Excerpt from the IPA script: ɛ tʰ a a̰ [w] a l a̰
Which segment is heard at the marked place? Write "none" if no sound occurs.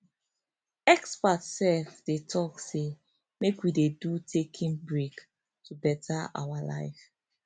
w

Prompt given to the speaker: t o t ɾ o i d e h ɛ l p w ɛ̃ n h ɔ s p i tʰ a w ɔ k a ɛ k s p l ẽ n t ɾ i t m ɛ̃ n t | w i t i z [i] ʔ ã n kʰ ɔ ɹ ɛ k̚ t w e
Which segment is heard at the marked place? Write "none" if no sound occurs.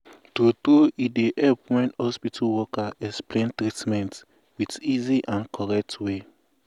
i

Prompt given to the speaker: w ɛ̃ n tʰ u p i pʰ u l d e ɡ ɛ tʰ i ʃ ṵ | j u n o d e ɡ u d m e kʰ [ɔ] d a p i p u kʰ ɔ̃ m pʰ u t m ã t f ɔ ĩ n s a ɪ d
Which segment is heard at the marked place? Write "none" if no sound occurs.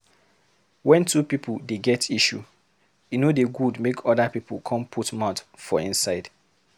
ɔ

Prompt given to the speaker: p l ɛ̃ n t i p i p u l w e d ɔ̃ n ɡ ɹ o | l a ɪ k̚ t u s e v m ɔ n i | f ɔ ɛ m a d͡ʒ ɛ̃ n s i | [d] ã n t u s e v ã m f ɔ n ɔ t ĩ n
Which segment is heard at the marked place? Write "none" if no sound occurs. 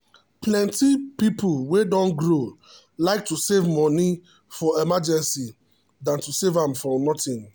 d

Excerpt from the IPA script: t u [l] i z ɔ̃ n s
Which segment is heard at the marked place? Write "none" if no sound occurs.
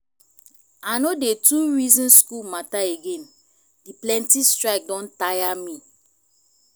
ɹ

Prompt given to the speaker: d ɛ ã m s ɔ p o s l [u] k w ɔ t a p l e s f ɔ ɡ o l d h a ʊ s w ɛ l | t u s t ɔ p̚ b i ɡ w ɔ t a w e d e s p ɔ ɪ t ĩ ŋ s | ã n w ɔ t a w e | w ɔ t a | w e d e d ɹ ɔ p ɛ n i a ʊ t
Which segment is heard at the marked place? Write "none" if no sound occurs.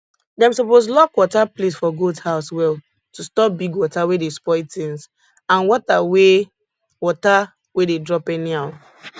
ɔ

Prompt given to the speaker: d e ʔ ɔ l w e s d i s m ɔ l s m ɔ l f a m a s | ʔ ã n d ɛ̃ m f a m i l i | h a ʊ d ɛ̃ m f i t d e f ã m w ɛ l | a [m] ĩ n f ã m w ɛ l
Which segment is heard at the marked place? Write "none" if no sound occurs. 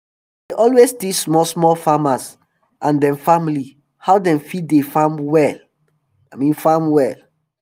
m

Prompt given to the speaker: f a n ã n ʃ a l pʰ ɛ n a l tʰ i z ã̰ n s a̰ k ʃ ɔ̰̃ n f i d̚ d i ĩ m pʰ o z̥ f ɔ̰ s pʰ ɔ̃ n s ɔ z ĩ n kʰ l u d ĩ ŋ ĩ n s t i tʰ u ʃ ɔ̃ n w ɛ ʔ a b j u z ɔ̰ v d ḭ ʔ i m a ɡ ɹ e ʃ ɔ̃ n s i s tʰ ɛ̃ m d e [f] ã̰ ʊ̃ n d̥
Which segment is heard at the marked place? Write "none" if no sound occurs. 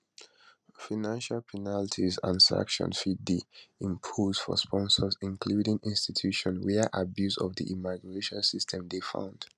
f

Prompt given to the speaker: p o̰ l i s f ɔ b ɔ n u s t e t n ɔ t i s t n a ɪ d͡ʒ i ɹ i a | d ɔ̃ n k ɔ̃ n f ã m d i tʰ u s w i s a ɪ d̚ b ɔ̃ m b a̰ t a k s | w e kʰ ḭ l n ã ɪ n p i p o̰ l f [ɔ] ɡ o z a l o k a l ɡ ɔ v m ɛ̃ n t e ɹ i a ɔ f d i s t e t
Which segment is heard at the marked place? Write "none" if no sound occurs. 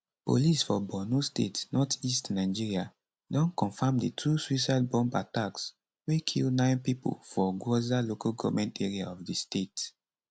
ɔ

